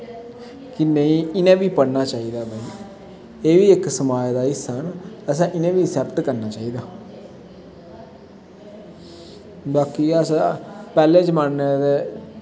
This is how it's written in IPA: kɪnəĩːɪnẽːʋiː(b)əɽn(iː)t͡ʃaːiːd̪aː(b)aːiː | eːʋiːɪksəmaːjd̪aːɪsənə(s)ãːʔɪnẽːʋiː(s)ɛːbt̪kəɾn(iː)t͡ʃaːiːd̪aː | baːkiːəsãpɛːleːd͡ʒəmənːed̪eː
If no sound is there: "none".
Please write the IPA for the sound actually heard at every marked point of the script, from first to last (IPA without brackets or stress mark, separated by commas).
p, aː, b, s, s, aː